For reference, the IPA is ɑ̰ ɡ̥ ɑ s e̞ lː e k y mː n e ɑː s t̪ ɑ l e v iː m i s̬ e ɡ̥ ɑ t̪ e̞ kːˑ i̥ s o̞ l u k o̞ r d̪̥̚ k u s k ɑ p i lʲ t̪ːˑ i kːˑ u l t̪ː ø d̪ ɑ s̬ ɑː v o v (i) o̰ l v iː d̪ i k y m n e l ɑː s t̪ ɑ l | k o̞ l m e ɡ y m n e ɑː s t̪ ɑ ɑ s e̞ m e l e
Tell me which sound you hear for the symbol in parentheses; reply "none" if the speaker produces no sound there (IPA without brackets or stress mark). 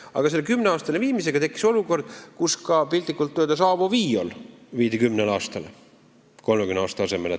iː